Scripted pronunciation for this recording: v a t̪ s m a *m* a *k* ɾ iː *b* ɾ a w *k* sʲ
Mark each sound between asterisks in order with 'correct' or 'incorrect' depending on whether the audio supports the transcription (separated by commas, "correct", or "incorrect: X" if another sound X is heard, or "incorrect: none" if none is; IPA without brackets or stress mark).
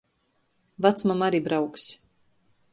correct, incorrect: none, correct, correct